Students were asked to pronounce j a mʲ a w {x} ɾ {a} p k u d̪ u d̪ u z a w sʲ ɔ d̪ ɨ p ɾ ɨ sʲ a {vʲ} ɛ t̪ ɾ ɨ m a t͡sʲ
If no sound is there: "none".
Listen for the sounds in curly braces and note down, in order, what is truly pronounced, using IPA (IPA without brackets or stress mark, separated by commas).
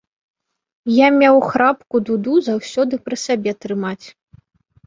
x, a, bʲ